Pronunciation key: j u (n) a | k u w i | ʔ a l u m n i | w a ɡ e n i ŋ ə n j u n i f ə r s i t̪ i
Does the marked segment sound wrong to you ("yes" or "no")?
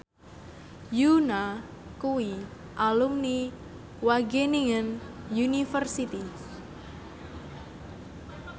no